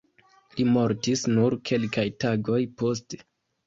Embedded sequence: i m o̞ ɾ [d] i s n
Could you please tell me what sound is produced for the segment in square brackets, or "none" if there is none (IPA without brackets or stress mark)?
t